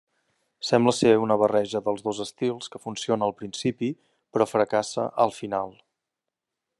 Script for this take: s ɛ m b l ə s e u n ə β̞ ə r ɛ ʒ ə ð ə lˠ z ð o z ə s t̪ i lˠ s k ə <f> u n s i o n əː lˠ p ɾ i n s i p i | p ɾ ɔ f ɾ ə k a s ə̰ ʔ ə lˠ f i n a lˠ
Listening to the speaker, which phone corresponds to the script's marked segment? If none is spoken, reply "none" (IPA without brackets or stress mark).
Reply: f